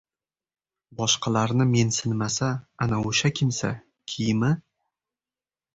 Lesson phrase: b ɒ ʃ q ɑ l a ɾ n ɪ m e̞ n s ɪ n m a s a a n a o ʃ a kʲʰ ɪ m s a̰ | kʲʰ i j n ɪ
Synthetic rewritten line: b ɒ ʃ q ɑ l a ɾ n ɪ m e̞ n s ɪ n m a s a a n a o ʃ a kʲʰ ɪ m s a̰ | kʲʰ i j m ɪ